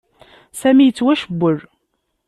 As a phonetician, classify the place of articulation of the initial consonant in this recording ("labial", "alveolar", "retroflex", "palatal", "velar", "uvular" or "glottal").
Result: alveolar